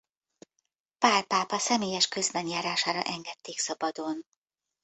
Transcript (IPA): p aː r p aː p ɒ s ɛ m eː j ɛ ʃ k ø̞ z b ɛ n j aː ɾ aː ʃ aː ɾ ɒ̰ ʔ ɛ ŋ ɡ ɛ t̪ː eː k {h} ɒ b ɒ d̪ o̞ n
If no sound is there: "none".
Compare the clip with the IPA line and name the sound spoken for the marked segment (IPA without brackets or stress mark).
s